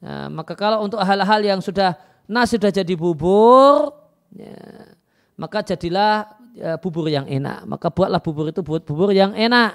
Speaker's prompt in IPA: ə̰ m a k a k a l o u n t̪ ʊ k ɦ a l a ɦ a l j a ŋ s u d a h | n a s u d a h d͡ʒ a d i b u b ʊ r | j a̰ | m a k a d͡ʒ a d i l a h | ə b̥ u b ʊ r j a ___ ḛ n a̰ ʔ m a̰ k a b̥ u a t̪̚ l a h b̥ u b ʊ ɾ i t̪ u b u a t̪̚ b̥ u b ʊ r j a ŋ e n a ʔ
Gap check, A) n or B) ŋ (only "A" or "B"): B